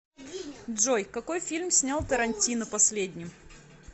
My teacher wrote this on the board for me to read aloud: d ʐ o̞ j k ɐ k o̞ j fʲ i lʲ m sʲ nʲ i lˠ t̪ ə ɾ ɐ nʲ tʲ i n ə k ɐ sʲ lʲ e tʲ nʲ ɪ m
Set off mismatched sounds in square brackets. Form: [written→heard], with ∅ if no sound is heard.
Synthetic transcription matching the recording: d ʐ o̞ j k ɐ k o̞ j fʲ i lʲ m sʲ nʲ [i→a] lˠ t̪ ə ɾ ɐ nʲ tʲ i n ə [k→p] ɐ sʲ lʲ e [tʲ→dʲ] nʲ ɪ m